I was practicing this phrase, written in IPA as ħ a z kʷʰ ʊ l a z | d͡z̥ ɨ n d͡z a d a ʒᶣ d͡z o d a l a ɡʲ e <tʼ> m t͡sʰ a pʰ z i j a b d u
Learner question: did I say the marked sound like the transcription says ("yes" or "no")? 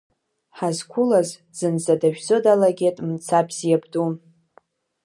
yes